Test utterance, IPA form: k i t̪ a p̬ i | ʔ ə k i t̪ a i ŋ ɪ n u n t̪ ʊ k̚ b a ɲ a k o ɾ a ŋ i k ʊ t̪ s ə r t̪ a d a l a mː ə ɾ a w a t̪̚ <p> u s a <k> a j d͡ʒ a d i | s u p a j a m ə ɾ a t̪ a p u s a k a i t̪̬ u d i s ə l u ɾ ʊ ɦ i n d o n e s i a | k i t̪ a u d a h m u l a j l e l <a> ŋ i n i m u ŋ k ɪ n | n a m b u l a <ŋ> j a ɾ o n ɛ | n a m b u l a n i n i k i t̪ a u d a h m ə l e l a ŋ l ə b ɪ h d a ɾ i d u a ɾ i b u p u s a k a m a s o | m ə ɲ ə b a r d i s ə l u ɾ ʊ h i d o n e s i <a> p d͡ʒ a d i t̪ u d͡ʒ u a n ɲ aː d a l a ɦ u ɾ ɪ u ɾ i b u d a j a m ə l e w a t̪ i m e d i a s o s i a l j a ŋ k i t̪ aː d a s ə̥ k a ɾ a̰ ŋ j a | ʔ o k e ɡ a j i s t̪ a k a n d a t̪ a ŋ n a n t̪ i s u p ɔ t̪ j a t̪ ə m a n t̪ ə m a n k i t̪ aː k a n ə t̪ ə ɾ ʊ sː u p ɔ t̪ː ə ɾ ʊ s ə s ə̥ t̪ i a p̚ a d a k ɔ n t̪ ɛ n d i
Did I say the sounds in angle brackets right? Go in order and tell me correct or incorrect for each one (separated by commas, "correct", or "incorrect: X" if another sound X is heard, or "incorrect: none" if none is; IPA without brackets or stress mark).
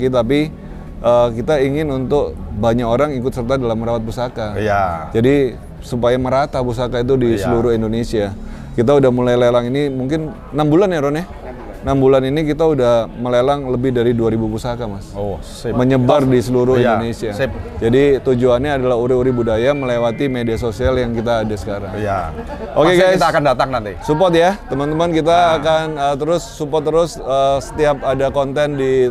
correct, correct, correct, incorrect: n, correct